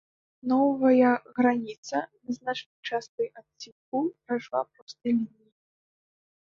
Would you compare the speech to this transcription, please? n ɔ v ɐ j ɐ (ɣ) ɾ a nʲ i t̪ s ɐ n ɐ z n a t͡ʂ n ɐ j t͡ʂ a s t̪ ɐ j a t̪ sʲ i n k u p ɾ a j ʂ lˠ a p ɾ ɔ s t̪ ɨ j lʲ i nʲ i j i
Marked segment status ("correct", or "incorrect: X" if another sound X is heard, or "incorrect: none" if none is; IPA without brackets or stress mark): correct